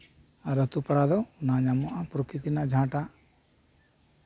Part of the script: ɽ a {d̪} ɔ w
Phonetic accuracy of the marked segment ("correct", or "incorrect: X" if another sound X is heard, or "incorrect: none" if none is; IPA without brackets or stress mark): correct